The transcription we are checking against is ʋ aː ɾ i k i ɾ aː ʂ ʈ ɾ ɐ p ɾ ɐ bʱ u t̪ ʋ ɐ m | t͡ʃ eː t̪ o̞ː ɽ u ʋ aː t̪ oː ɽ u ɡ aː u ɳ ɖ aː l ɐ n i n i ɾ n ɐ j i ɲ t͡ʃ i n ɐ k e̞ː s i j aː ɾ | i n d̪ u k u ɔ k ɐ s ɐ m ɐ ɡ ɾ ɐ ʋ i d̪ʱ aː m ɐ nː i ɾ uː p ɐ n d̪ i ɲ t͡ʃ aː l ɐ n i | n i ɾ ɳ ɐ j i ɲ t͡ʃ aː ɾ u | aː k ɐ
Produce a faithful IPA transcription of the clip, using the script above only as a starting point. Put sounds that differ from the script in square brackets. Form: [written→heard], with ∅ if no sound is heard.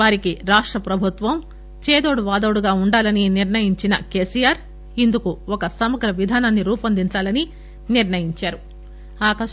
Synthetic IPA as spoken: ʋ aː ɾ i k i ɾ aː ʂ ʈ ɾ ɐ p ɾ ɐ bʱ u t̪ ʋ ɐ m | t͡ʃ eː [t̪→d̪] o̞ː ɽ u ʋ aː [t̪→d̪] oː ɽ u ɡ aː u ɳ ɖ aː l ɐ n i n i ɾ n ɐ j i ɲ t͡ʃ i n ɐ k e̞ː s i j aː ɾ | i n d̪ u k u ɔ k ɐ s ɐ m ɐ ɡ ɾ ɐ ʋ i d̪ʱ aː [m→n] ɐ nː i ɾ uː p ɐ n d̪ i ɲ t͡ʃ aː l ɐ n i | n i ɾ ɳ ɐ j i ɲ t͡ʃ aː ɾ u | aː k ɐ

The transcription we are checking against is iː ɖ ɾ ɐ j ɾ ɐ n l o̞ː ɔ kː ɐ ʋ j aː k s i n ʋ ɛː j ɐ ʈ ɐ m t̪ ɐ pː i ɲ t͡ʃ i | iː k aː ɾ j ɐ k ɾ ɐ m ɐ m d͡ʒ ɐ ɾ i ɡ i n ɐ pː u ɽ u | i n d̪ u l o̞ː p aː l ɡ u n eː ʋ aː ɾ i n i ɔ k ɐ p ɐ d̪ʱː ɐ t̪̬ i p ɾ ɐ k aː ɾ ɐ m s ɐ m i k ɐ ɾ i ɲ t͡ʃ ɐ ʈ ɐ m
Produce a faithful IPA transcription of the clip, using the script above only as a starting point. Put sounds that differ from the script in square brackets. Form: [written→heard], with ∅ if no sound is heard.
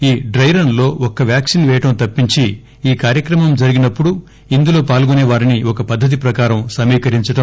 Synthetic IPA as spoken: iː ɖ ɾ ɐ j ɾ ɐ n l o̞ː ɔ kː ɐ ʋ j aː k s i n ʋ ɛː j ɐ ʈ ɐ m t̪ ɐ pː i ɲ t͡ʃ i | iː k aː ɾ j ɐ k ɾ ɐ m ɐ m d͡ʒ ɐ ɾ i ɡ i n ɐ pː u ɽ u | i n d̪ u l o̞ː p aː l ɡ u n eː ʋ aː ɾ i n i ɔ k ɐ p ɐ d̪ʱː ɐ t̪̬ i p ɾ ɐ k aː ɾ ɐ m s ɐ m [i→iː] k ɐ ɾ i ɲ t͡ʃ ɐ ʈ ɐ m

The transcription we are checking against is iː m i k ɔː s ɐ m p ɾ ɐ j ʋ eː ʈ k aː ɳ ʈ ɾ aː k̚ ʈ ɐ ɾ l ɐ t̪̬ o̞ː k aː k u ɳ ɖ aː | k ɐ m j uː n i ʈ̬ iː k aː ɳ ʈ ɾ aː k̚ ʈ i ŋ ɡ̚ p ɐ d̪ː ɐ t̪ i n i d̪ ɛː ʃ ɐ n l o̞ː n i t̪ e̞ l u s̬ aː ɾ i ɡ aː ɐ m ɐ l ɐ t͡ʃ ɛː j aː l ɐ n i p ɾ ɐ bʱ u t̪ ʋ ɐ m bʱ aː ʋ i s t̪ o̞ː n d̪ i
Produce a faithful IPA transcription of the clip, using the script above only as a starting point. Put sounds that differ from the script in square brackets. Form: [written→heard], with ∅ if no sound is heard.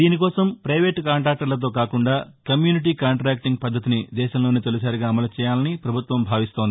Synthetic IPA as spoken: iː [m→n] i k ɔː s ɐ m p ɾ ɐ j ʋ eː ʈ k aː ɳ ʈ ɾ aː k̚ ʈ ɐ ɾ l ɐ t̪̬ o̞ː k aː k u ɳ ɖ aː | k ɐ m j uː n i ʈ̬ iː k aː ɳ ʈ ɾ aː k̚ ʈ i ŋ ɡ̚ p ɐ d̪ː ɐ t̪ i n i d̪ ɛː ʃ ɐ [n→m] l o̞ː n i t̪ e̞ l u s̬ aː ɾ i ɡ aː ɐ m ɐ l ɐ t͡ʃ ɛː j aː l ɐ n i p ɾ ɐ bʱ u t̪ ʋ ɐ m bʱ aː ʋ i s t̪ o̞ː n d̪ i

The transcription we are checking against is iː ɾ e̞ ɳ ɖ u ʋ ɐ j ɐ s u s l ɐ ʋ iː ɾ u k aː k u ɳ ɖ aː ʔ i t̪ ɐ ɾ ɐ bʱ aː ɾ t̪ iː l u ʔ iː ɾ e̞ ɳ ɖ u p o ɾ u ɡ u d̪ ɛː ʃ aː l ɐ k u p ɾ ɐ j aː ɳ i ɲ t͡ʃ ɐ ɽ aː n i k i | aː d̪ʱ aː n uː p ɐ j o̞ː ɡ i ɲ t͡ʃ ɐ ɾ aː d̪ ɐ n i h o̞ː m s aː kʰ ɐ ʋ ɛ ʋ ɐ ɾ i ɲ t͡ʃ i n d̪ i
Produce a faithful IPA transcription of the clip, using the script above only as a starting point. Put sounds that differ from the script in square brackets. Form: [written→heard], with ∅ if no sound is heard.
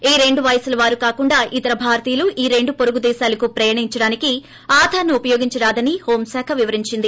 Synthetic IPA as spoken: iː ɾ e̞ ɳ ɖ u ʋ ɐ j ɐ s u [s→∅] l ɐ ʋ [iː→aː] ɾ u k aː k u ɳ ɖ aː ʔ i t̪ ɐ ɾ ɐ bʱ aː ɾ t̪ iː l u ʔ iː ɾ e̞ ɳ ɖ u p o ɾ u ɡ u d̪ ɛː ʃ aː l ɐ k u p ɾ ɐ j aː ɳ i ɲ t͡ʃ ɐ ɽ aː n i k i | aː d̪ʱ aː n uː p ɐ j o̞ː ɡ i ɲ t͡ʃ ɐ ɾ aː d̪ ɐ n i h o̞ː m s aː kʰ ɐ ʋ [ɛ→i] ʋ ɐ ɾ i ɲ t͡ʃ i n d̪ i

